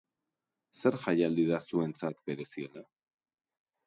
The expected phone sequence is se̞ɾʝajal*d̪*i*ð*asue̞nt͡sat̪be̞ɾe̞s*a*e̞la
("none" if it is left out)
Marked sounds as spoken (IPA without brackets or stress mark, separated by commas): d̪, ð, i